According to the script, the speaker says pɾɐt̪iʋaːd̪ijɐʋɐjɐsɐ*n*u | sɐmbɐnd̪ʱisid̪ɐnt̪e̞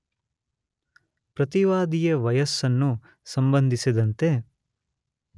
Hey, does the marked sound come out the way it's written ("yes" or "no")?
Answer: no